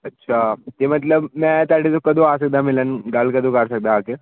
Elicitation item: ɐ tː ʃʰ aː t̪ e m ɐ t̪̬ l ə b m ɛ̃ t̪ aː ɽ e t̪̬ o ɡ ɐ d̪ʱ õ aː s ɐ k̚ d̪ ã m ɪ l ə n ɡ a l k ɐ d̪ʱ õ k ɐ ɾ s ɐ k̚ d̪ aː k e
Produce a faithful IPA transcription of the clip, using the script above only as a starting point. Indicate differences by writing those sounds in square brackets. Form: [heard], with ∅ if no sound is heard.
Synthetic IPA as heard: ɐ tː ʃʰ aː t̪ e m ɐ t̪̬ l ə b m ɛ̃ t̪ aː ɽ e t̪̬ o [k] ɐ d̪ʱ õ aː s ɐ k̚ d̪ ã m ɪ l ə n ɡ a l k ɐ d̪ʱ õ k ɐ ɾ s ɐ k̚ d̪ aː k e